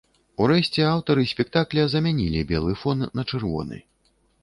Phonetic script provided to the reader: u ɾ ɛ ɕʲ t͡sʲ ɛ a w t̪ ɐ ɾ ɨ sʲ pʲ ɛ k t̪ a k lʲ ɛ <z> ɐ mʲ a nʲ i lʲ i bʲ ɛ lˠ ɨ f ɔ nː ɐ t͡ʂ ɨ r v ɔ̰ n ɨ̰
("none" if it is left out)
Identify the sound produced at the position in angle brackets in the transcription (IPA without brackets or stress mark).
z